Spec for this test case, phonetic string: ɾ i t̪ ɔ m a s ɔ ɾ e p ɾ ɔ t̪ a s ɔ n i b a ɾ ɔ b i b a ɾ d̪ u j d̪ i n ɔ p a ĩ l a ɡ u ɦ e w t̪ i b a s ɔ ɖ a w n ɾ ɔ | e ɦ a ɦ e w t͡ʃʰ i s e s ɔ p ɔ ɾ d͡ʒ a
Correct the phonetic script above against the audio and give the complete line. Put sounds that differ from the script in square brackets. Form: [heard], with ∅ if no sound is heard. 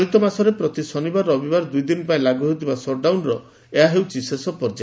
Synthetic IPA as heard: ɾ i t̪ ɔ m a s ɔ ɾ e p ɾ ɔ t̪ [i] s ɔ n i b a ɾ ɔ b i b a ɾ d̪ u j d̪ i n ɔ p a ĩ l a ɡ u ɦ e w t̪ i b a s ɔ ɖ a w n ɾ ɔ | e ɦ a ɦ e w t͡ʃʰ i s e s ɔ p ɔ ɾ d͡ʒ a